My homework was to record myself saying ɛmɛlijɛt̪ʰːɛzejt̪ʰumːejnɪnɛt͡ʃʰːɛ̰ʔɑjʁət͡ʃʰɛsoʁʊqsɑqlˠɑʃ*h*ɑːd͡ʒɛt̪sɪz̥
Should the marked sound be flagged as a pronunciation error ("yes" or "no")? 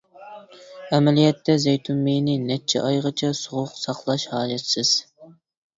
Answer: no